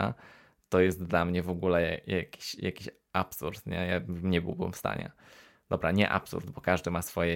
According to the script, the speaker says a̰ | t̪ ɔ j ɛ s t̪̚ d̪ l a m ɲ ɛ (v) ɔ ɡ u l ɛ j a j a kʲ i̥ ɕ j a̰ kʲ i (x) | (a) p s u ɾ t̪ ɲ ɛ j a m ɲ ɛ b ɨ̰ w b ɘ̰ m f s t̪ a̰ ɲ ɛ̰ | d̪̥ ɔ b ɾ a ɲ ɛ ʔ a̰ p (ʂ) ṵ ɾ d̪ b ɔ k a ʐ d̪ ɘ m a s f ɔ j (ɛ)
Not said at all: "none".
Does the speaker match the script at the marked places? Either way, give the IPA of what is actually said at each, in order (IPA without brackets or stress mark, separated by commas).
v, ɕ, a, s, ɛ